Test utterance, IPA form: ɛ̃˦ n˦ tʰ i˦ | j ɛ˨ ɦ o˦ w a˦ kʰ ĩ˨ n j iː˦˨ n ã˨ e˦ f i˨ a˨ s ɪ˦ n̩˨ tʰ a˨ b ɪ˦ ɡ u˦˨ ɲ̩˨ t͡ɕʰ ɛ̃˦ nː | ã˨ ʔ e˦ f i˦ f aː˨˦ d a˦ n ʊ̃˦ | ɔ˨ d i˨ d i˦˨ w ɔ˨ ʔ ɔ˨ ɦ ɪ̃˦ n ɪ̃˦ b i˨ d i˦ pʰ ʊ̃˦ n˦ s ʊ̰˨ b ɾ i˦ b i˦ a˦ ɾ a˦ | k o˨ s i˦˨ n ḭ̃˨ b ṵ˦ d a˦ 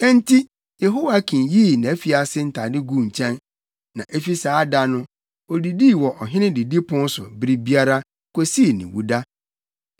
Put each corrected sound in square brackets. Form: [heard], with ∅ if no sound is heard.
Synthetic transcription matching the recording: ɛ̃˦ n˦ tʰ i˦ | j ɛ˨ ɦ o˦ w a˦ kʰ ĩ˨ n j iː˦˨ n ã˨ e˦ f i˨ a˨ s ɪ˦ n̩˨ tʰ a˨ [d] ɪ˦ ɡ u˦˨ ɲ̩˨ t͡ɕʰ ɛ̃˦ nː | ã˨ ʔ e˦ f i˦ [s] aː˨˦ d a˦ n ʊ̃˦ | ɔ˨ d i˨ d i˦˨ w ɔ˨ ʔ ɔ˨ ɦ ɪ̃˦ n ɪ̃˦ [d] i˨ d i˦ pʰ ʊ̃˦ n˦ s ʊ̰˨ b ɾ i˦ b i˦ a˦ ɾ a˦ | k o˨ s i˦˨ n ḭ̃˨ [w] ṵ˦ d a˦